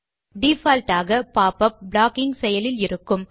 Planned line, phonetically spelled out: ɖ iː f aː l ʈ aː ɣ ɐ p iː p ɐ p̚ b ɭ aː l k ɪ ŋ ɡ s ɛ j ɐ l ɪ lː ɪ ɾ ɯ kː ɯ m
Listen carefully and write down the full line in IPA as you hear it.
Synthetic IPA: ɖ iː f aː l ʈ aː ɣ ɐ p aː p ɐ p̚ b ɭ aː k ɪ ŋ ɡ s ɛ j ɐ l ɪ l ɪ ɾ ɯ kː ɯ m